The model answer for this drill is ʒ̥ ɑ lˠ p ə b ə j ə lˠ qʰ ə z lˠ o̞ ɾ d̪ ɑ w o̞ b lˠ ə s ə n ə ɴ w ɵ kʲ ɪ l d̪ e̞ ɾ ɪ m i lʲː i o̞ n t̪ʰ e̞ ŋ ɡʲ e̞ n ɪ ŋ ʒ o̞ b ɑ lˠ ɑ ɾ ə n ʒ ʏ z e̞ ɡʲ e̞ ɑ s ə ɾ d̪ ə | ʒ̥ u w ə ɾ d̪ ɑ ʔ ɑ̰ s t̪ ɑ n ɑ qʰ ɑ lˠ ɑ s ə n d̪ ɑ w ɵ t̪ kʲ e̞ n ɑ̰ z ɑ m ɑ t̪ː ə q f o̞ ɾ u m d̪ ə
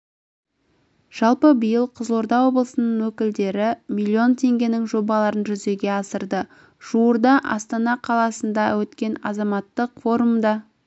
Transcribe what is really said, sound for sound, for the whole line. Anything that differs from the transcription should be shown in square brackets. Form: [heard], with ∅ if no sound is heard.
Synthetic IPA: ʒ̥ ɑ lˠ p ə b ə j ə lˠ qʰ ə z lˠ o̞ ɾ d̪ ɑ w o̞ b lˠ ə s ə n ə ɴ w ɵ kʲ ɪ l d̪ e̞ ɾ ɪ m i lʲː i o̞ n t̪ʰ e̞ ŋ ɡʲ e̞ n ɪ ŋ ʒ o̞ b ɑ lˠ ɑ ɾ ə n ʒ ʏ z e̞ ɡʲ e̞ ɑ s ə ɾ d̪ ə | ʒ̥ u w ə ɾ d̪ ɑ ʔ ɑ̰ s t̪ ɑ n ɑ qʰ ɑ lˠ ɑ s ə n d̪ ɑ w ɵ t̪ kʲ e̞ n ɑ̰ z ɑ m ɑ t̪ː ə q f o̞ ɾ u m d̪ [ɑ]